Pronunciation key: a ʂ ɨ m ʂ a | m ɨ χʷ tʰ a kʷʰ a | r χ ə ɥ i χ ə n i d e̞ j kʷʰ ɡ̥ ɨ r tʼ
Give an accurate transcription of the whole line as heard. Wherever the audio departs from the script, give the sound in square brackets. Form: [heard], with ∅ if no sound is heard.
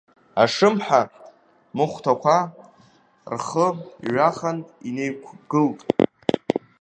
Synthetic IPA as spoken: a ʂ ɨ m [ħ] a | m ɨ χʷ tʰ a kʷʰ a | r χ ə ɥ [a] χ [a] n i [n] e̞ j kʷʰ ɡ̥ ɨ [l] tʼ